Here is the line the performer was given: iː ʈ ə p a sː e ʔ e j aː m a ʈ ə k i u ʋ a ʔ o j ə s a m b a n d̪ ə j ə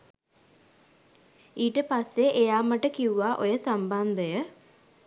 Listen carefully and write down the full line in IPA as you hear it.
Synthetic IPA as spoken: iː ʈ ə p a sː e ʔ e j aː m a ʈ ə k i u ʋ a ʔ o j ə s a m b a n d̪ ə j ə